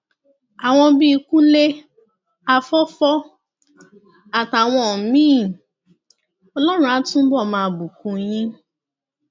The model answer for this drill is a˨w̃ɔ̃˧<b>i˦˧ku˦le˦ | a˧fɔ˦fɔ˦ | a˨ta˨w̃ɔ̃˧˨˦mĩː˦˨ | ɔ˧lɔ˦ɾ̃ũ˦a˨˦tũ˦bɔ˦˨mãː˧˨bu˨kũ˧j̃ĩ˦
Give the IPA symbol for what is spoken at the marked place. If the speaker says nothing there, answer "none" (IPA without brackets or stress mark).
b